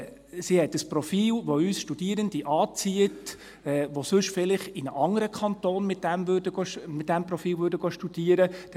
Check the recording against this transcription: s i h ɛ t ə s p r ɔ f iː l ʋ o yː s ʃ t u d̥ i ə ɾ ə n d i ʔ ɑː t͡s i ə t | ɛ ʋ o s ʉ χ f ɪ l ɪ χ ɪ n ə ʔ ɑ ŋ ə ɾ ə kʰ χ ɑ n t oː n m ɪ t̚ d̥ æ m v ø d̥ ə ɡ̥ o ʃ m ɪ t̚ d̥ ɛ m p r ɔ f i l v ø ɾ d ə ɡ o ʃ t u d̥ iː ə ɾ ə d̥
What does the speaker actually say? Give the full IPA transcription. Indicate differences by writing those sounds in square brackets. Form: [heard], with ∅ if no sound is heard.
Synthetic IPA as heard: s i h ɛ t ə s p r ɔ f iː l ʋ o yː s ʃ t u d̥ i ə ɾ ə n d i ʔ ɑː t͡s i ə t | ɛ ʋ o s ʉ [ʃ] f ɪ l ɪ χ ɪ n ə ʔ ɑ ŋ ə ɾ ə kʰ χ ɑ n t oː n m ɪ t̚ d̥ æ m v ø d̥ ə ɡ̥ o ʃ m ɪ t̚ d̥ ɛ m p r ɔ f [iː] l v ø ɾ d ə ɡ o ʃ t u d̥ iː ə ɾ ə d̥

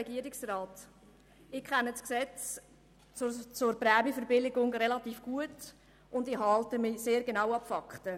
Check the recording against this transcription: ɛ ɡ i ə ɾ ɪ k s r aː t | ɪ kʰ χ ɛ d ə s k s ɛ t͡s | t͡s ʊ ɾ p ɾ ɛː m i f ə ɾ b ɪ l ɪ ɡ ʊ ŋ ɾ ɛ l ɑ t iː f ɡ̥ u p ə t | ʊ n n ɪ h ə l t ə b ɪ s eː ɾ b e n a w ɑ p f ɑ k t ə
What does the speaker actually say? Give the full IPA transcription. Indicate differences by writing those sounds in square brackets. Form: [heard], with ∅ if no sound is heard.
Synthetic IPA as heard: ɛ ɡ i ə ɾ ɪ k s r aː t | ɪ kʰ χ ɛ [n] ə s k s ɛ t͡s | t͡s ʊ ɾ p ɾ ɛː m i f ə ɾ b ɪ l ɪ ɡ ʊ ŋ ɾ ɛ l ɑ t iː f ɡ̥ u [∅] ə t | ʊ n [d] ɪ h [ɑ] l t ə [m] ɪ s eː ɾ [ɡ] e n a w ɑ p f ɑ k t ə

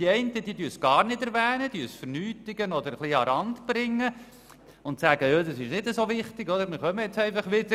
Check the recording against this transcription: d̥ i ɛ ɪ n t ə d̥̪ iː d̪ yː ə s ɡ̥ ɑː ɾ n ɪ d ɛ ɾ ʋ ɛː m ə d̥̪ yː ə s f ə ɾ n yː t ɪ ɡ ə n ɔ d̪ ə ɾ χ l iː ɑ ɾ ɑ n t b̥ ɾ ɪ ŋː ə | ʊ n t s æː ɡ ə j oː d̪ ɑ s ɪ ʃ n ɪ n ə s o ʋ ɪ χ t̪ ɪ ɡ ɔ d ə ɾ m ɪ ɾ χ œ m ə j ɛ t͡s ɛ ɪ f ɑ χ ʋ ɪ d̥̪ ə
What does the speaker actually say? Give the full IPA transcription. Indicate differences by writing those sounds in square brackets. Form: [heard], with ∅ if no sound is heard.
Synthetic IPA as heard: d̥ i ɛ ɪ n t ə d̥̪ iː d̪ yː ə s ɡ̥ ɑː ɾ n ɪ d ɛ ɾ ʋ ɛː [n] ə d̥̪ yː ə s f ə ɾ n yː t ɪ ɡ ə n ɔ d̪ ə ɾ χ l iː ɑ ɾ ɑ n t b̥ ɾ ɪ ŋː ə | ʊ n t s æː ɡ ə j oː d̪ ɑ s ɪ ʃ n ɪ [d] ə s o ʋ ɪ χ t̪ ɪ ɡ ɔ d ə ɾ m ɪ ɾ χ œ m ə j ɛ t͡s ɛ ɪ f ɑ χ ʋ ɪ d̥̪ ə

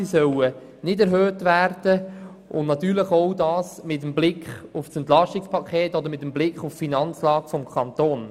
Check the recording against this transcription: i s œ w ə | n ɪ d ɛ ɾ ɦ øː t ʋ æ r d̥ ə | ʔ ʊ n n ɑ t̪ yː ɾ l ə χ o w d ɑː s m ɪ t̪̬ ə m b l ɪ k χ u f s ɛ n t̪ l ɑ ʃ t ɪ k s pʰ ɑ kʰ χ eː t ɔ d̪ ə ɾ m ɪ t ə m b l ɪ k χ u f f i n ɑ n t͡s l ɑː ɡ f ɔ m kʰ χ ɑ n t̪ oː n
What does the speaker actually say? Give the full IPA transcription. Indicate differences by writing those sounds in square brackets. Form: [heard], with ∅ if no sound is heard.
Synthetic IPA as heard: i s œ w ə | n ɪ d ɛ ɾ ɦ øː t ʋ æ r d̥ ə | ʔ ʊ n n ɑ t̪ yː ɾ l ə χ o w d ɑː s m ɪ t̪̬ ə m b l ɪ k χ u f s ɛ n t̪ l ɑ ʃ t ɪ k s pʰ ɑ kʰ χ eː t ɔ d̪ ə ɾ m ɪ t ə m b l ɪ k χ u f f i n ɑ n t͡s l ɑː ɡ f ɔ m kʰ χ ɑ n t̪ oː n

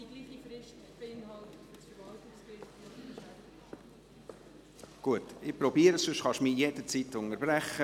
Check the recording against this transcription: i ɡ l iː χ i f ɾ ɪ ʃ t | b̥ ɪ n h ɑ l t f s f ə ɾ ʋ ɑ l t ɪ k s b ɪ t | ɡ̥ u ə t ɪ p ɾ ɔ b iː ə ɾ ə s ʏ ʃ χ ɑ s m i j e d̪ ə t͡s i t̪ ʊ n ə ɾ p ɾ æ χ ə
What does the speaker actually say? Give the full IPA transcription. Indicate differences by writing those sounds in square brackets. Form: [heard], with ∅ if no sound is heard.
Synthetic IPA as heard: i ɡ l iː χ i f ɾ ɪ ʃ t | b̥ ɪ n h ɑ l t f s f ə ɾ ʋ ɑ l t ɪ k s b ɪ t | ɡ̥ u ə t ɪ p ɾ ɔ b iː ə ɾ ə s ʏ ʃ χ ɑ [ʃ] m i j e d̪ ə t͡s i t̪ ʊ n ə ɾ [b] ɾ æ χ ə

